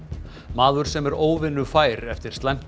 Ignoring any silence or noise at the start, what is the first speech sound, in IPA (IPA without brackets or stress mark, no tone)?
m